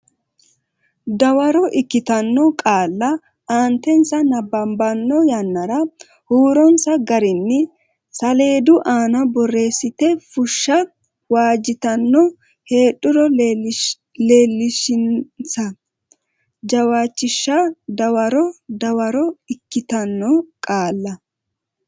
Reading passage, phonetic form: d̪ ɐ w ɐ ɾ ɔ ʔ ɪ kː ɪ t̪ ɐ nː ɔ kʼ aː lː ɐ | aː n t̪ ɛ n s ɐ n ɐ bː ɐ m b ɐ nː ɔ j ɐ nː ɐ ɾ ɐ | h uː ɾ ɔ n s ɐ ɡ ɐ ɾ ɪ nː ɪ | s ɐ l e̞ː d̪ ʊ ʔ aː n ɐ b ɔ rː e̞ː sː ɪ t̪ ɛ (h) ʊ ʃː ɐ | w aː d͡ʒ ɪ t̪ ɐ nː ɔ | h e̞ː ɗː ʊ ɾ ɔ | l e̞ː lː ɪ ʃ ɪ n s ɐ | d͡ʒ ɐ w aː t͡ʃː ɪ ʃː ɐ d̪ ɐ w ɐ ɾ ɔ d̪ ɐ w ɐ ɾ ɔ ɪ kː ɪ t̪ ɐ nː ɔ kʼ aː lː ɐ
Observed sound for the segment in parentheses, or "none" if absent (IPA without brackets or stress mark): f